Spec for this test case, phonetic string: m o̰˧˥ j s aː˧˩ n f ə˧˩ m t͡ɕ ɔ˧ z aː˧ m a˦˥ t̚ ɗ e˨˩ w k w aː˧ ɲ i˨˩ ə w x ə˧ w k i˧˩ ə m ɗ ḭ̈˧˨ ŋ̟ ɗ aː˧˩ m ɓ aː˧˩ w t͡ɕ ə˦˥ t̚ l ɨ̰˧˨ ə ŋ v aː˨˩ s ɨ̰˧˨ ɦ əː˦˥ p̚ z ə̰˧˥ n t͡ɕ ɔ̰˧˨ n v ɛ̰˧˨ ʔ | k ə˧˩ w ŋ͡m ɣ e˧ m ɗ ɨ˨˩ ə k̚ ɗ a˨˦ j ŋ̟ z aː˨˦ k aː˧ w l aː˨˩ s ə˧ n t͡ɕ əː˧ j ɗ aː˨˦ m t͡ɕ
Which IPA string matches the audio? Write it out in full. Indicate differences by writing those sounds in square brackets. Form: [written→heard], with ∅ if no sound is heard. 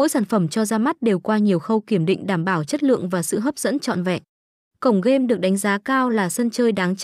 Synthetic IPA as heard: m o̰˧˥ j s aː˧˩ n f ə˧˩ m t͡ɕ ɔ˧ z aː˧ m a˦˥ t̚ ɗ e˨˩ w k w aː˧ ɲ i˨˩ ə w x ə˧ w k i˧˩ ə m ɗ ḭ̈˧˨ ŋ̟ ɗ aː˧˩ m ɓ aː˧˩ w t͡ɕ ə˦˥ t̚ l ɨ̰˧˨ ə ŋ v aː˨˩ s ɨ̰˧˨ ɦ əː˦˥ p̚ z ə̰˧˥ n t͡ɕ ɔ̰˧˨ n v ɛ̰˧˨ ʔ | k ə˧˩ w ŋ͡m ɣ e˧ m ɗ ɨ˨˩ ə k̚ ɗ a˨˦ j ŋ̟ z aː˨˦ k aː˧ w l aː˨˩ s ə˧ n t͡ɕ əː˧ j ɗ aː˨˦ [m→ŋ] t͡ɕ